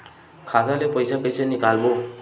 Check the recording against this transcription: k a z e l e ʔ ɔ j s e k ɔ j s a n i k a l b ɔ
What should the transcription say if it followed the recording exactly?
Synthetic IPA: kʰ a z a l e p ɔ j s a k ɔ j s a n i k a l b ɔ